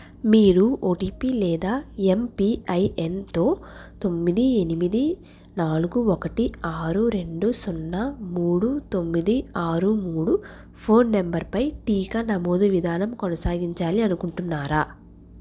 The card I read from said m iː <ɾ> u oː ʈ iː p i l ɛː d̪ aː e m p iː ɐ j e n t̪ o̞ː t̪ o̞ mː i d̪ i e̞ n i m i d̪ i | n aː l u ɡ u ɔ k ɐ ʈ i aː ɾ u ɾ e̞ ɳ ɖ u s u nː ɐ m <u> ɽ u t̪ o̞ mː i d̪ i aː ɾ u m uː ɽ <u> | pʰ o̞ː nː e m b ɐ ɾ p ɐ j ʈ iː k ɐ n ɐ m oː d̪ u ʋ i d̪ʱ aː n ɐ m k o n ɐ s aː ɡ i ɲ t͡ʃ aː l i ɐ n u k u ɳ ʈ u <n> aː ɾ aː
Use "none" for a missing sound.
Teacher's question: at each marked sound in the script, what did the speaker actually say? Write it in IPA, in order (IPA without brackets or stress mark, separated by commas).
ɾ, uː, u, nː